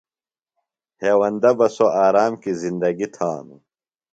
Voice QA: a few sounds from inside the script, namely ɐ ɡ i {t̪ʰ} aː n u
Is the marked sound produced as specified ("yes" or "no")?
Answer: yes